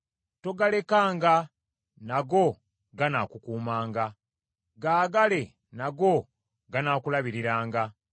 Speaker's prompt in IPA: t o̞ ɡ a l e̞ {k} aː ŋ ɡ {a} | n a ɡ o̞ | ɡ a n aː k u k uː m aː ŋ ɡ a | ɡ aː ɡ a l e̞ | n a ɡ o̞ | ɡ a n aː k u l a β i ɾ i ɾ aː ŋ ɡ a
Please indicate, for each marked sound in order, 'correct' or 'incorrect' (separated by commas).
correct, correct